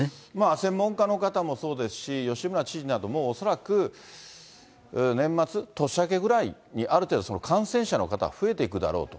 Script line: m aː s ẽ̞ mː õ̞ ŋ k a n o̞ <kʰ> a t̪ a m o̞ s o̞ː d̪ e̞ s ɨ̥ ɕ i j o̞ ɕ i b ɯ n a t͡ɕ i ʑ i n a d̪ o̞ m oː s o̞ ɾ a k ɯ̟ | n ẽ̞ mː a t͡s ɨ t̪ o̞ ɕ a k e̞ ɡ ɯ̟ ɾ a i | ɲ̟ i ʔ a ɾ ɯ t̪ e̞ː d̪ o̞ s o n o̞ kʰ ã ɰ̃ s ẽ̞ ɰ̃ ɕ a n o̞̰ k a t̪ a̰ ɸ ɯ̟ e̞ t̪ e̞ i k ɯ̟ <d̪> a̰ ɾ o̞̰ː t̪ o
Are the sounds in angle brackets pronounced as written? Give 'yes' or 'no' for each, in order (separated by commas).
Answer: no, yes